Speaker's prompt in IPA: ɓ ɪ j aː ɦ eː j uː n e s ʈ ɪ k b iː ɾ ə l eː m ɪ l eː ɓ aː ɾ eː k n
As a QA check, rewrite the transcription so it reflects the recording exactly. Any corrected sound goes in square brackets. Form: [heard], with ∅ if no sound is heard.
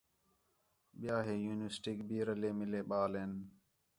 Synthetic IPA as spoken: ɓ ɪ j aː ɦ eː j uː n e s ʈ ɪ k b iː ɾ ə l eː m ɪ l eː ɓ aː [l] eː [∅] n